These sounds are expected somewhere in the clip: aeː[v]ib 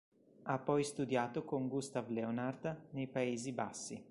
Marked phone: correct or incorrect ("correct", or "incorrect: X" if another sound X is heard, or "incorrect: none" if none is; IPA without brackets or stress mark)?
incorrect: z